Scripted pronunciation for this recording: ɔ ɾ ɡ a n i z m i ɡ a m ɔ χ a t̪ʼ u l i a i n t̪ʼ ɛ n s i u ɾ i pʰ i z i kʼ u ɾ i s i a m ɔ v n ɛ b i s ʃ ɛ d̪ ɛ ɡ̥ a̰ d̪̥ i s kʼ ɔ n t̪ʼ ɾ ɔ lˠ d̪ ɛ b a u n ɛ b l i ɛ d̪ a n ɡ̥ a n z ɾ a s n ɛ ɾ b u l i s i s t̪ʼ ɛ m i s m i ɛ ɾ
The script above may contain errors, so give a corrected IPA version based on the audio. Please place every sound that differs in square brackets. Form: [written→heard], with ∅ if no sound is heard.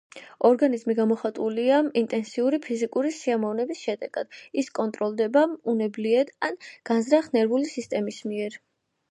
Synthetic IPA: ɔ ɾ ɡ a n i z m i ɡ a m ɔ χ a t̪ʼ u l i a i n t̪ʼ ɛ n s i u ɾ i pʰ i z i kʼ u ɾ i s i a m ɔ v n ɛ b i s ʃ ɛ d̪ ɛ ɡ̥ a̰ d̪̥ i s kʼ ɔ n t̪ʼ ɾ ɔ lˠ d̪ ɛ b a u n ɛ b l i ɛ d̪ a n ɡ̥ a n z ɾ a [s→χ] n ɛ ɾ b u l i s i s t̪ʼ ɛ m i s m i ɛ ɾ